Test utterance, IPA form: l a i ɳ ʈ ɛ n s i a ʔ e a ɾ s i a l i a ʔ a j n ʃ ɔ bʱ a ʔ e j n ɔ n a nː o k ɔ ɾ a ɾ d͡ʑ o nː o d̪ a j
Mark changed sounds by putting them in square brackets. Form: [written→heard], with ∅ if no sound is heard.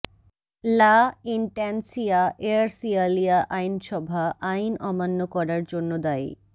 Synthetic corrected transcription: l a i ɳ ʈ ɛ n s i a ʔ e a ɾ s i a l i a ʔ a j n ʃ ɔ bʱ a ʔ [e→a] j n ɔ [n→m] a nː o k ɔ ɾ a ɾ d͡ʑ o nː o d̪ a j